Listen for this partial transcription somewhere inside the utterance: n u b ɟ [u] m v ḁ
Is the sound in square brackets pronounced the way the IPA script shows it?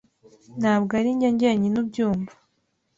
no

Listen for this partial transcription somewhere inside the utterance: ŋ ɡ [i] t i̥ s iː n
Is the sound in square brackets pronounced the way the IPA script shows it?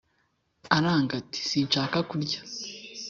no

